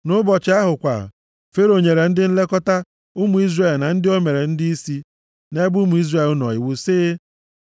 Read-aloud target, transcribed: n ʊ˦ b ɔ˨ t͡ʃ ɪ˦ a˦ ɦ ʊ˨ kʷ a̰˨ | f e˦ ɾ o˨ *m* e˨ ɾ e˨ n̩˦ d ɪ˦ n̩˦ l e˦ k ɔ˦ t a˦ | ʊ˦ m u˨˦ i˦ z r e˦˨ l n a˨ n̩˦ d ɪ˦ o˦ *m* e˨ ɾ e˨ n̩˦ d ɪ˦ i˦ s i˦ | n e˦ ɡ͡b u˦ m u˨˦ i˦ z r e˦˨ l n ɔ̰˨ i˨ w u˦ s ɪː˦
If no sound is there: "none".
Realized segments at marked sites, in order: ɲ, m

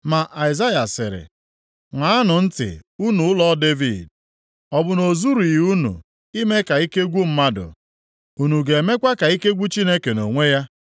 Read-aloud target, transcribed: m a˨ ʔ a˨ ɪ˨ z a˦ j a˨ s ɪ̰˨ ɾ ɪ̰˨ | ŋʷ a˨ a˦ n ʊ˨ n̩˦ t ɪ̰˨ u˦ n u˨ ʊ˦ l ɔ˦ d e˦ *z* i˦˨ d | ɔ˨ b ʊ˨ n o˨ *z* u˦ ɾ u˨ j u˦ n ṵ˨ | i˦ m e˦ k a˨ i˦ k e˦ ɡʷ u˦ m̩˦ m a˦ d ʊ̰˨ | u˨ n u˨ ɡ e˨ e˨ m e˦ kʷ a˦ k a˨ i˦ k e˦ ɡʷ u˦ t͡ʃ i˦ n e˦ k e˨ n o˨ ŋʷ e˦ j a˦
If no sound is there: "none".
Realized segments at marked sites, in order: v, z

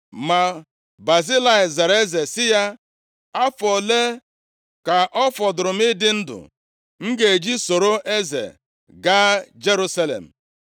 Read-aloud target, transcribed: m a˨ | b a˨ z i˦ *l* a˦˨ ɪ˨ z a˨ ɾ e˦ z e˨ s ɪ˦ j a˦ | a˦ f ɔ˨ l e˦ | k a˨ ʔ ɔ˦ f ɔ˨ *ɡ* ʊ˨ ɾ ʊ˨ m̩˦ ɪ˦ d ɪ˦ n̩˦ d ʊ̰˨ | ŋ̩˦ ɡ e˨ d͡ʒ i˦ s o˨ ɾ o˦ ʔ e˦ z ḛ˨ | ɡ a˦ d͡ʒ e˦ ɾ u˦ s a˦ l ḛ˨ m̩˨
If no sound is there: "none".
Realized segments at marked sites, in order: l, d

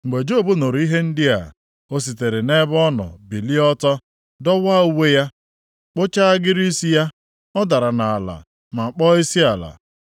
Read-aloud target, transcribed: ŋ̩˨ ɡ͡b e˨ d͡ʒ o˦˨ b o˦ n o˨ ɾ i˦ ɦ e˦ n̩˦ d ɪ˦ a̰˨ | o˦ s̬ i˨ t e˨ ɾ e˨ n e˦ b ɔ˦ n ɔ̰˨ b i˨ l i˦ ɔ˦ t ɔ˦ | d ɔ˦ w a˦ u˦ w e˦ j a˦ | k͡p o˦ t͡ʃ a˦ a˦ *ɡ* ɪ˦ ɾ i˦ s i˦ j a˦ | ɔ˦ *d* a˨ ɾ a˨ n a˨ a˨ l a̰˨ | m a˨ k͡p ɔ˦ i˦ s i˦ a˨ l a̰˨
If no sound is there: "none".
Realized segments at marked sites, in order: ɡ, d

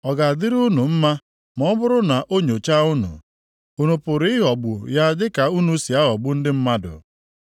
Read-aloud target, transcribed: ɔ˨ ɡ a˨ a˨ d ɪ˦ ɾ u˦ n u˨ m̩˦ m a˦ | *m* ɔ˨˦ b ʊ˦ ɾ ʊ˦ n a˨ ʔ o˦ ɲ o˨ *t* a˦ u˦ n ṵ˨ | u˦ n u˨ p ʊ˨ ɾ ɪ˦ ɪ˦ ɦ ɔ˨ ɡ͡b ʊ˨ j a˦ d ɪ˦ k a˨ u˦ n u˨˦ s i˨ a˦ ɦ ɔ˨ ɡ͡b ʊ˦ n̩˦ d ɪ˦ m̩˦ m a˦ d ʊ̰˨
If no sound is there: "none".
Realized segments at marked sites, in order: m, t͡ʃ

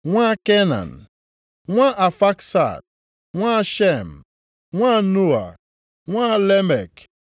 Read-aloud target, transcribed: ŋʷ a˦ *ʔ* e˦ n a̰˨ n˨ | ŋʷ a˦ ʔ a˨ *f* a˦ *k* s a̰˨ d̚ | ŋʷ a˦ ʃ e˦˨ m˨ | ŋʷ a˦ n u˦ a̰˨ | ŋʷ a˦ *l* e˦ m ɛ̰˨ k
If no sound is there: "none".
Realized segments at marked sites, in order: k, f, k, l

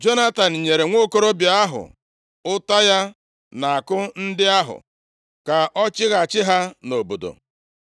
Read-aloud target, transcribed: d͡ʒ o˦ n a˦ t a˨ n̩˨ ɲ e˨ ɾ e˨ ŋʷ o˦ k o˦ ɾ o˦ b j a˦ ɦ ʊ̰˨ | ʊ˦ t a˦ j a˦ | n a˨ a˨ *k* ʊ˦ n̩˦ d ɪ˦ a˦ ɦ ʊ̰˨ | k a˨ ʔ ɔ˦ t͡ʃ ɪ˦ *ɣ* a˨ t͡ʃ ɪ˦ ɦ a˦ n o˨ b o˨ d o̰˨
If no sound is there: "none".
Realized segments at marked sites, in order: k, ɣ

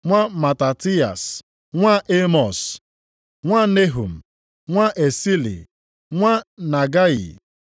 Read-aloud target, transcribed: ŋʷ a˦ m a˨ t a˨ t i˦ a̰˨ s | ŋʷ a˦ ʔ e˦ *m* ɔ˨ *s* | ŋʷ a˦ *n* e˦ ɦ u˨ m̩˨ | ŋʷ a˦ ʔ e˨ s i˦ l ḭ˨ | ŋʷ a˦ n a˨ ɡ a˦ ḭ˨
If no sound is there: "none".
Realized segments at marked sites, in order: m, s, n

